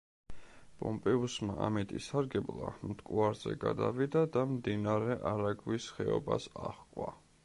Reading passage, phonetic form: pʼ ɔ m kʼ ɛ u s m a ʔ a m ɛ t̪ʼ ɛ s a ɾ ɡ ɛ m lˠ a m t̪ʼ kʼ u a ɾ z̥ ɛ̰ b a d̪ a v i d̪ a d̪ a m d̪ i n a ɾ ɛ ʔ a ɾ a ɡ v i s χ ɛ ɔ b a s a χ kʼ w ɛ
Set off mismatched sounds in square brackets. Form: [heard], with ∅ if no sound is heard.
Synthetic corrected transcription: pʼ ɔ m [pʼ] ɛ u s m a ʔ a m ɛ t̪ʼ [i] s a ɾ ɡ ɛ [b] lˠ a m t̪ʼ kʼ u a ɾ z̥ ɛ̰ [ɡ] a d̪ a v i d̪ a d̪ a m d̪ i n a ɾ ɛ ʔ a ɾ a ɡ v i s χ ɛ ɔ b a s a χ kʼ w [a]